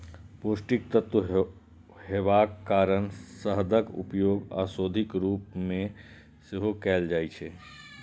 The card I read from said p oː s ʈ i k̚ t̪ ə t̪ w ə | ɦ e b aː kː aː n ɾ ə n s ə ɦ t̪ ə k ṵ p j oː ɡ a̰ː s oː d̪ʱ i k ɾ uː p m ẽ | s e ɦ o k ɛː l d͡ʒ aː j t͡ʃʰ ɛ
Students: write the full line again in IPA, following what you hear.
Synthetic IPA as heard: p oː s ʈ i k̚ t̪ ə t̪ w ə | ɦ e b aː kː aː ɾ ə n s ə ɦ d̪ ə k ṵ p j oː ɡ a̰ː s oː d̪ʱ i k ɾ uː p m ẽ | s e ɦ o k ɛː l d͡ʒ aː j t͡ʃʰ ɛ

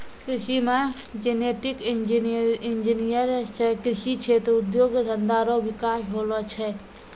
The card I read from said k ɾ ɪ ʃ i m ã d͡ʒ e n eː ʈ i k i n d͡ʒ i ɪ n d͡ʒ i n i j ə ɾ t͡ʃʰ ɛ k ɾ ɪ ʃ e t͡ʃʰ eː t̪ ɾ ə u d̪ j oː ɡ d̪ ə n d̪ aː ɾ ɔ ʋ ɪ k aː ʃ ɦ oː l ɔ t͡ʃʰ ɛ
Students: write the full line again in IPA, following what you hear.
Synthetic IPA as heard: k ɾ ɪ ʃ i m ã d͡ʒ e n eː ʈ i k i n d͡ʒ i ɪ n d͡ʒ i n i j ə ɾ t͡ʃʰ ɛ k ɾ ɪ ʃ i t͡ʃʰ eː t̪ ɾ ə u d̪ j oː ɡ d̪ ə n d̪ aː ɾ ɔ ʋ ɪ k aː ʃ ɦ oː l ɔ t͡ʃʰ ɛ

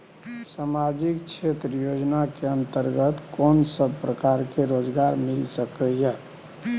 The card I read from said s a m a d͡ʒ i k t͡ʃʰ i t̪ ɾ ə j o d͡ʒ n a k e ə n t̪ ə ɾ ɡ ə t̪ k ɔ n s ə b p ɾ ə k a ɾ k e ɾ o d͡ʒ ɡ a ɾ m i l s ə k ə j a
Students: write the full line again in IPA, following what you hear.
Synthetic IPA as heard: s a m a d͡ʒ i k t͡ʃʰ e t̪ ɾ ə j o d͡ʒ n a k e ə n t̪ ə ɾ ɡ ə t̪ k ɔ n s ə b p ɾ ə k a ɾ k e ɾ o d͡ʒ ɡ a ɾ m i l s ə k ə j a

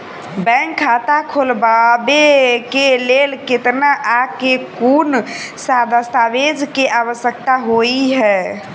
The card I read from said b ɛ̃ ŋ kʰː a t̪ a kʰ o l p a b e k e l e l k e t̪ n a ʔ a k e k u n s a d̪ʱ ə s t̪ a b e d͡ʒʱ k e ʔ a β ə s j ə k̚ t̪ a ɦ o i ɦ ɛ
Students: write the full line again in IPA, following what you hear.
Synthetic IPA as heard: b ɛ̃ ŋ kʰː a t̪ a kʰ o l b a b e k e l e l k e t̪ n a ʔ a k e k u n s a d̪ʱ ə s t̪ a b e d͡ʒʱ k e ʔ a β ə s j ə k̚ t̪ a ɦ o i ɦ ɛ

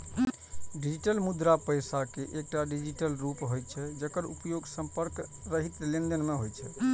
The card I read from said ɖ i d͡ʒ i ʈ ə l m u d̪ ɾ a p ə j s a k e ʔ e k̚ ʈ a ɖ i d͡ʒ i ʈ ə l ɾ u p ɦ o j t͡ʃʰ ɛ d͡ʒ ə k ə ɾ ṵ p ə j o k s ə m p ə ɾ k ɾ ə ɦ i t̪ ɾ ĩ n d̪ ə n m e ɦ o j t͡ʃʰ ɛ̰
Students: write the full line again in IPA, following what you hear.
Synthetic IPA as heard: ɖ i d͡ʒ i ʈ ə l m u d̪ ɾ a p ə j s a k e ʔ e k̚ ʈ a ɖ i d͡ʒ i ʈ ə l ɾ u p ɦ o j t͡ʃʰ ɛ d͡ʒ ə k ə ɾ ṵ p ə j o ɡ s ə m p ə ɾ k ɾ ə ɦ i t̪ l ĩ n d̪ ə n m e ɦ o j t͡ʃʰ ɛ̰

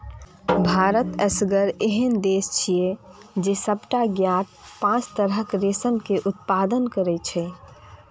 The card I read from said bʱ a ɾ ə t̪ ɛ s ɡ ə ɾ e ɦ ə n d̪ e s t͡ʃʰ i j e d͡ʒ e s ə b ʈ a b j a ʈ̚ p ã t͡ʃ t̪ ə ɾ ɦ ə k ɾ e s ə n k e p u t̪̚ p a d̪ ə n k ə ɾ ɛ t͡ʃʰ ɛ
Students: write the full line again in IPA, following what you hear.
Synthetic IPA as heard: bʱ a ɾ ə t̪ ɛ s ɡ ə ɾ e ɦ ə n d̪ e s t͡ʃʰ i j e d͡ʒ e s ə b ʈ a ɡ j a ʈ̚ p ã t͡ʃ t̪ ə ɾ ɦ ə k ɾ e s ə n k e ʔ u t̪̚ p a d̪ ə n k ə ɾ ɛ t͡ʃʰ ɛ

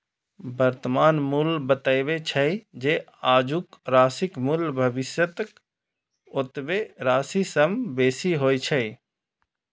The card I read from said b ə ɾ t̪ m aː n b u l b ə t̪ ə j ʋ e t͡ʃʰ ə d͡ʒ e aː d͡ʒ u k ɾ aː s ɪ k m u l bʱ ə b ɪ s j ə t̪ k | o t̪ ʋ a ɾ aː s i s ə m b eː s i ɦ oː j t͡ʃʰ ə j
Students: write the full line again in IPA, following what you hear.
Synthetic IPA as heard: b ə ɾ t̪ m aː n m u l b ə t̪ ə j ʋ e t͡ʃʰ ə d͡ʒ e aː d͡ʒ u k ɾ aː s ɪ k m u l bʱ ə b ɪ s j ə t̪ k | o t̪ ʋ e ɾ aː s i s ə m b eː s i ɦ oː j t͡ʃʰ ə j

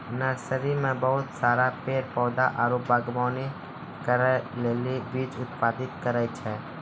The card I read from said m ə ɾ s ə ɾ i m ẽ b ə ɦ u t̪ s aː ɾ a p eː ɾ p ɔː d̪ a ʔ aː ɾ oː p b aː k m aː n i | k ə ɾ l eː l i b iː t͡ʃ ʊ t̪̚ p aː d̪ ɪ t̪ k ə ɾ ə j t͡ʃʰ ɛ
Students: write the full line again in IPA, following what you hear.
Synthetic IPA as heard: n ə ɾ s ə ɾ i m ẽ b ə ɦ ʊ t̪ s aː ɾ a p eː ɾ p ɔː d̪ a ʔ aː ɾ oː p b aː ɡ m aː n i | k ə ɾ l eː l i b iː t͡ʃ ʊ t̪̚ p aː d̪ ɪ t̪ k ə ɾ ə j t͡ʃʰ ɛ

